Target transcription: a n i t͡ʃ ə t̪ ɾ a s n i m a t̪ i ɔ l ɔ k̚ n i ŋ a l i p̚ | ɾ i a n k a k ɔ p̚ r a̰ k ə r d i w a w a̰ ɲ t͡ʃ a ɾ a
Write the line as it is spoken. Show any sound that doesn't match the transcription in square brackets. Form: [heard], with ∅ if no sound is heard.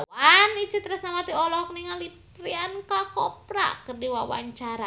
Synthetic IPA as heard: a n i t͡ʃ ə t̪ ɾ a s n [a] m a t̪ i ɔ l ɔ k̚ n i ŋ a l i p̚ | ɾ i a n k a k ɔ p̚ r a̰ k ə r d i w a w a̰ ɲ t͡ʃ a ɾ a

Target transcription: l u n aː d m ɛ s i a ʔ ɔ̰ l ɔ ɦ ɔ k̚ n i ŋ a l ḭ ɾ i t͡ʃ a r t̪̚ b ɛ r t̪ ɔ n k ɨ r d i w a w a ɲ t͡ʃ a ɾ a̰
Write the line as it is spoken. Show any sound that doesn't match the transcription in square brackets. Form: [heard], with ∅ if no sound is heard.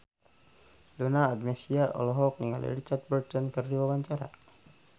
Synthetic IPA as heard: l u n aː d m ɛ s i a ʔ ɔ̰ l ɔ ɦ ɔ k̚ n i ŋ a l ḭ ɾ i t͡ʃ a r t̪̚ b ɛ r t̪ ɔ n k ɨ r d i w a w a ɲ t͡ʃ a ɾ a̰

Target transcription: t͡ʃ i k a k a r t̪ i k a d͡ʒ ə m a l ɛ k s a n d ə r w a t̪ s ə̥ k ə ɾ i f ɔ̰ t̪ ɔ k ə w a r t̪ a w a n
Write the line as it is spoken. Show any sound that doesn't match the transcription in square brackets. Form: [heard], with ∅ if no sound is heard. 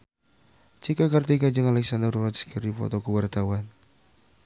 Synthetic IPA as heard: t͡ʃ i k a k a r t̪ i k a d͡ʒ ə [ŋ] a l ɛ k s a n d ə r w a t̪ s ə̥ k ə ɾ i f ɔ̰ t̪ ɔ k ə w a r t̪ a w a n

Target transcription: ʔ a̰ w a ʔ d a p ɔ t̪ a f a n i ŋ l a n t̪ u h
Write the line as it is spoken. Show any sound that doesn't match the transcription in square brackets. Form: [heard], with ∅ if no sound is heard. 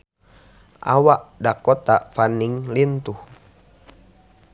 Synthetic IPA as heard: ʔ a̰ w a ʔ d a [k] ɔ t̪ a f a n i ŋ l [i] n t̪ u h

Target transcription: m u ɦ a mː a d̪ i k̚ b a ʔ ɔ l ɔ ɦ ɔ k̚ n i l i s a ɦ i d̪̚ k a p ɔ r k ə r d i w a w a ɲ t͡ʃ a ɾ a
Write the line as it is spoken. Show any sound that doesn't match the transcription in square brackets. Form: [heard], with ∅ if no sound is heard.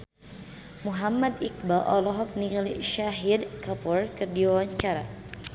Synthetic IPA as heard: m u ɦ a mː a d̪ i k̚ b a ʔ ɔ l ɔ ɦ ɔ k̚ n i l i [ʃ] a ɦ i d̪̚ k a p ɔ r k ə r d i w a w a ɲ t͡ʃ a ɾ a

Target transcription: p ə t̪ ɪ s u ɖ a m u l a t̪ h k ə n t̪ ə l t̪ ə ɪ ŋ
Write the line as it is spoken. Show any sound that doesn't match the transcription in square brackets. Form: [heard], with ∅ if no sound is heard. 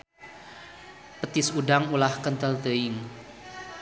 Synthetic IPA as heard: p ə t̪ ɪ s u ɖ a [ŋ] u l a [∅] h k ə n t̪ ə l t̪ ə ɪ ŋ

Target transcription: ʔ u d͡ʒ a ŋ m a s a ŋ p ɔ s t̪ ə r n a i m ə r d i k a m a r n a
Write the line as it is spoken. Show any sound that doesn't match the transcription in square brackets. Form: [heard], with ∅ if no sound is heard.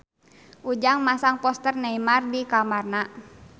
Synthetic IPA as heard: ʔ u d͡ʒ a ŋ m a s a ŋ p ɔ s t̪ ə r n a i m [a] r d i k a m a r n a

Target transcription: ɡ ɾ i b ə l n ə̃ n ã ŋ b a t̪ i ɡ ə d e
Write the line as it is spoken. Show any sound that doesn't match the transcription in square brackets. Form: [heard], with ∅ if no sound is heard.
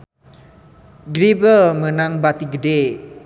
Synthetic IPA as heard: ɡ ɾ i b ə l [m] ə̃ n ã ŋ b a t̪ i ɡ ə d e

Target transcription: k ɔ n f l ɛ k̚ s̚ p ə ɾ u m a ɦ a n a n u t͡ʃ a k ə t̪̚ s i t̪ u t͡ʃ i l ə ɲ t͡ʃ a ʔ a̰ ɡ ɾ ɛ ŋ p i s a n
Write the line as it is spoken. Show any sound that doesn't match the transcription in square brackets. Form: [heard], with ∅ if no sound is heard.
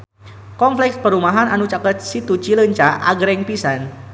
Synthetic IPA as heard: k ɔ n f l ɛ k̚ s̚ p ə ɾ u m a ɦ a n a n u t͡ʃ a k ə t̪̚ s i t̪ u t͡ʃ i l ə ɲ t͡ʃ a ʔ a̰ ɡ ɾ ɛ ŋ p i s a n

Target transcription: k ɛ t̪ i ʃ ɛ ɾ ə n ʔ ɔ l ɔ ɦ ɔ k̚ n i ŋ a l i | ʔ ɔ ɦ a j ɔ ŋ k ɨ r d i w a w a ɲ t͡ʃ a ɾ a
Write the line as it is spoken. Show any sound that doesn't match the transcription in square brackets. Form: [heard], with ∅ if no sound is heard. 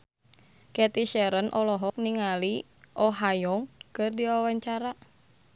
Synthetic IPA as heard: k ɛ t̪ i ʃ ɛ ɾ ə n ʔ ɔ l ɔ ɦ ɔ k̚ n i ŋ a l i | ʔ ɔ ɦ a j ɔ ŋ k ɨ r d i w a w a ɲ t͡ʃ a ɾ a

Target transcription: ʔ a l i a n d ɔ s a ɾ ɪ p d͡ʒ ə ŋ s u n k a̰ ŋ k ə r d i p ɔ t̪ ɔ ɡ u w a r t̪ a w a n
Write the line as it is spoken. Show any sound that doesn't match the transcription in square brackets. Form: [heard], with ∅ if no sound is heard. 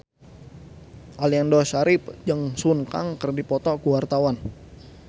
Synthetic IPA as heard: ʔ a l i a n d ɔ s a ɾ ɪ p d͡ʒ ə ŋ s u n k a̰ ŋ k ə r d i p ɔ t̪ ɔ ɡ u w a r t̪ a w a n

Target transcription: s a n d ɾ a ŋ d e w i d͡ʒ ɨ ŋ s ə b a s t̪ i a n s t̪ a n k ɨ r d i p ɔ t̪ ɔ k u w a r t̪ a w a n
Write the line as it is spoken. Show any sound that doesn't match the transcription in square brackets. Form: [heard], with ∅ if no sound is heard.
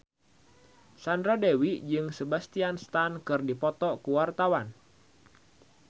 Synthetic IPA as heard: s a n d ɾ a [∅] d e w i d͡ʒ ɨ ŋ s ə b a s t̪ i a n s t̪ a n k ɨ r d i p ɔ t̪ ɔ k u w a r t̪ a w a n

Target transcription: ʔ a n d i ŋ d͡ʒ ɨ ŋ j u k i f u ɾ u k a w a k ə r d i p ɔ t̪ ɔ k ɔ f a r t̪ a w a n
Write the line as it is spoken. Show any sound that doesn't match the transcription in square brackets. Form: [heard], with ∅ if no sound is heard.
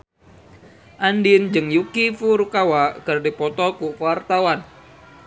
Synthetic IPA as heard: ʔ a n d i [n] d͡ʒ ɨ ŋ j u k i f u ɾ u k a w a k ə r d i p ɔ t̪ ɔ k [u] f a r t̪ a w a n

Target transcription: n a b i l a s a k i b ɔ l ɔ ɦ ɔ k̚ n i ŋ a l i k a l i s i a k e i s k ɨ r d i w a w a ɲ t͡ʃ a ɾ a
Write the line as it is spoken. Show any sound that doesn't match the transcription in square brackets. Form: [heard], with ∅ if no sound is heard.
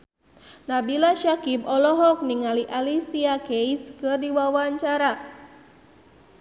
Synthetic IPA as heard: n a b i l a [ʃ] a k i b ɔ l ɔ ɦ ɔ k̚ n i ŋ a l i [ʔ] a l i s i a k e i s k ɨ r d i w a w a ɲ t͡ʃ a ɾ a

